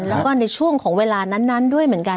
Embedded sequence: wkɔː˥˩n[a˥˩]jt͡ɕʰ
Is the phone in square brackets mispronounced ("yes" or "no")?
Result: yes